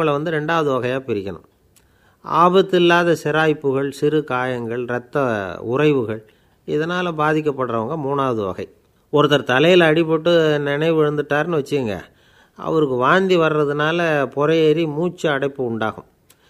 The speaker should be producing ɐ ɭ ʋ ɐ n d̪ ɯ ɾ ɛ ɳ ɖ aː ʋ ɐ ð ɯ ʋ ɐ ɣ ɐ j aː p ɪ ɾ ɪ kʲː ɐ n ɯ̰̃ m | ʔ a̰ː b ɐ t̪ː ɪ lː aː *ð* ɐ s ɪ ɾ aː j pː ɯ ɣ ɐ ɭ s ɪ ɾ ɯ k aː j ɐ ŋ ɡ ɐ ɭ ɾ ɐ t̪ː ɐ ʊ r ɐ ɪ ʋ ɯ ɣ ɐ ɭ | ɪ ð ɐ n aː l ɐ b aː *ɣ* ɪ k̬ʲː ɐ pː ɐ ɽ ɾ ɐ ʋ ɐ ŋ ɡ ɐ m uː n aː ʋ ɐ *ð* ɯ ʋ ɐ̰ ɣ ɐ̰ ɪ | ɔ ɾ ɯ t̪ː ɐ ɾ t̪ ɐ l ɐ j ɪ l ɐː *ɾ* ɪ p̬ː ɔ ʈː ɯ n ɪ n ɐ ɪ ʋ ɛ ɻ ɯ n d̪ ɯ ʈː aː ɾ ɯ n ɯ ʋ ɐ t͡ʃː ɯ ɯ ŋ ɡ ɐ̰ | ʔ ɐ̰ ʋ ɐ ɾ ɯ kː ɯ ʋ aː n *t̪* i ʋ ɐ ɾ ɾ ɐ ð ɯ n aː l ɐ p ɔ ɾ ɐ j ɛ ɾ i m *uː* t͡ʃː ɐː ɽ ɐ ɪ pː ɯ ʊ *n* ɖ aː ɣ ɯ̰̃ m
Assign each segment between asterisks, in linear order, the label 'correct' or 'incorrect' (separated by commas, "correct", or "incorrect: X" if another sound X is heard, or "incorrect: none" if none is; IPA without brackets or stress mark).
correct, incorrect: ð, correct, incorrect: ɽ, incorrect: d̪, correct, incorrect: ɳ